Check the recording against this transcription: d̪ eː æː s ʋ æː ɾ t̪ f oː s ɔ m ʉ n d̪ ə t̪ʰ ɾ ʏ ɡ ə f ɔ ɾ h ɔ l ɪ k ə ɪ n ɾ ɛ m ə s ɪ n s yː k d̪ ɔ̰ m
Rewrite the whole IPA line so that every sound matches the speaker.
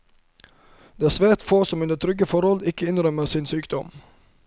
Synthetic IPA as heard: d̪ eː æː s ʋ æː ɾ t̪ f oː s ɔ m ʉ n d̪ ə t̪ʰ ɾ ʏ ɡ ə f ɔ ɾ h ɔ l ɪ k ə ɪ n ɾ œ m ə s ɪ n s yː k d̪ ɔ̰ m